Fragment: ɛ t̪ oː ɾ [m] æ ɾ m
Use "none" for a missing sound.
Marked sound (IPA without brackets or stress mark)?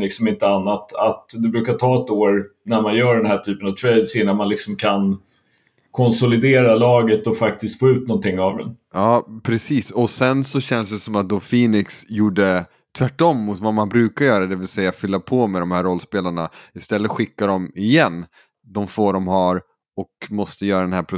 n